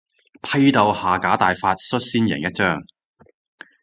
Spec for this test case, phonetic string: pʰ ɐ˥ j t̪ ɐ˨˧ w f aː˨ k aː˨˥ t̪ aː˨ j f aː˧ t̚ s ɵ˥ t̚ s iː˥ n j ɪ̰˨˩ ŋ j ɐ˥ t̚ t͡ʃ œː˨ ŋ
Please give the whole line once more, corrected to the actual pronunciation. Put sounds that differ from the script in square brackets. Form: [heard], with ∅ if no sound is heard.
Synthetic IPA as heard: pʰ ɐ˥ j t̪ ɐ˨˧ w [h] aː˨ k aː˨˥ t̪ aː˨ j f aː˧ t̚ s ɵ˥ t̚ s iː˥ n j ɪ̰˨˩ ŋ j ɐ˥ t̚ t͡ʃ [œː˥] ŋ